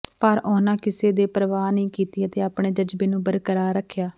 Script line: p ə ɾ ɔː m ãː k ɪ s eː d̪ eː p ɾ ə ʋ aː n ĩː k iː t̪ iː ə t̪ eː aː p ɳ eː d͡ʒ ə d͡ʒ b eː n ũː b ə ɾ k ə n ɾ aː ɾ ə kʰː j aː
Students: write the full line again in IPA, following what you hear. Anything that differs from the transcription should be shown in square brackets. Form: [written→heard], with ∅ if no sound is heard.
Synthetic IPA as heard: p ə ɾ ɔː [m→n] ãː k ɪ s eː d̪ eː p ɾ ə ʋ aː n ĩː k iː t̪ iː ə t̪ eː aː p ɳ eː d͡ʒ ə d͡ʒ b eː n ũː b ə ɾ k ə [n→∅] ɾ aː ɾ ə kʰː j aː